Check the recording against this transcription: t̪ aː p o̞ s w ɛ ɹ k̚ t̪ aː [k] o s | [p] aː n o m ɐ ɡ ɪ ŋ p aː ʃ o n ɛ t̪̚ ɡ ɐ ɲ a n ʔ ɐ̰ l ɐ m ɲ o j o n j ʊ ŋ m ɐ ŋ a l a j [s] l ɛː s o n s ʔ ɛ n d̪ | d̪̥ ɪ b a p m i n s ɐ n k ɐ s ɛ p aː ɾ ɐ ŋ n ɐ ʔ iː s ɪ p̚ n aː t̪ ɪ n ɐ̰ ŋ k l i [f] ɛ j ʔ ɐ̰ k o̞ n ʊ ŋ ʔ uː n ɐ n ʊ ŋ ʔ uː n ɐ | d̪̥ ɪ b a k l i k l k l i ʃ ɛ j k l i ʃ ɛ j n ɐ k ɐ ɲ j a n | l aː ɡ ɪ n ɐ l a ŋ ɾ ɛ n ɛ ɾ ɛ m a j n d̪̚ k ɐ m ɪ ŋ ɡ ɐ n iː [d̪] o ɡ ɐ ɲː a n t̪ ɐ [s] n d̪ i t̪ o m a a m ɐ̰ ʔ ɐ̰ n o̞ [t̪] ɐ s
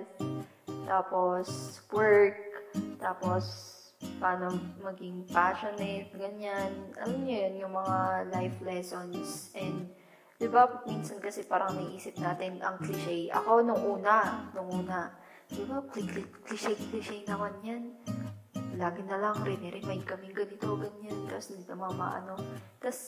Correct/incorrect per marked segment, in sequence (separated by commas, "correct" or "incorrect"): incorrect, correct, incorrect, incorrect, incorrect, correct, correct